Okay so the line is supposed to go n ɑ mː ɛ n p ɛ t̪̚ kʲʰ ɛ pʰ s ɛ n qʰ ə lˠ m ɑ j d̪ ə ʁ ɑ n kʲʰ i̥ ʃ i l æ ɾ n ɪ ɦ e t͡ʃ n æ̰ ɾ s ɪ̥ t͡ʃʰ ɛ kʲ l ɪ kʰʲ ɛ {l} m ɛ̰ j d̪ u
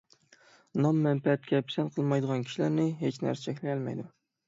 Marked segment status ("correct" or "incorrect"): correct